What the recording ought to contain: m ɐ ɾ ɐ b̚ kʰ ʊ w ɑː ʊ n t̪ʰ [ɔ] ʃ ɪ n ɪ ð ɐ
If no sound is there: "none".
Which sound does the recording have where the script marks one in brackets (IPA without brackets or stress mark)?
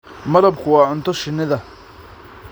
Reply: ɔ